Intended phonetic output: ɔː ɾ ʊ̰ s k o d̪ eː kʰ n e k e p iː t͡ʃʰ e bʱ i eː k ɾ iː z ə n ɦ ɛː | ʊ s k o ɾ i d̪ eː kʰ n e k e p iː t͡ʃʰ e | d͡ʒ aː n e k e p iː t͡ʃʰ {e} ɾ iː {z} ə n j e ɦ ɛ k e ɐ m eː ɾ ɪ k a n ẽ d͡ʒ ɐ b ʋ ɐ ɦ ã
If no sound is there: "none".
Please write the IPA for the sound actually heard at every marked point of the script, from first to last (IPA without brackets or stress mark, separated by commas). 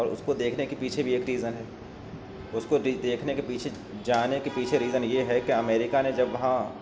e, z